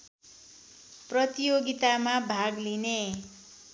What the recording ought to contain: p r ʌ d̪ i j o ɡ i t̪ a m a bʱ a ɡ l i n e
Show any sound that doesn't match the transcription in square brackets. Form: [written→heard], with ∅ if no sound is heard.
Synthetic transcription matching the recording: p r ʌ [d̪→t̪] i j o ɡ i t̪ a m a bʱ a ɡ l i n e